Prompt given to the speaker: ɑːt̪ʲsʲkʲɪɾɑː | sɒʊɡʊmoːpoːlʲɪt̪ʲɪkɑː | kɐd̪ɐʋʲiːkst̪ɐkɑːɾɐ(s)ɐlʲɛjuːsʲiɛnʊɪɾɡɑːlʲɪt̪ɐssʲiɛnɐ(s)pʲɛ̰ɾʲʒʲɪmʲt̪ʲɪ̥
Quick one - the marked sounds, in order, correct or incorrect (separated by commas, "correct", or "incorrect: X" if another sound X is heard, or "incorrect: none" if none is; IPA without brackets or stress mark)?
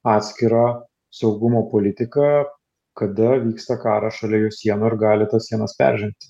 incorrect: ʃ, correct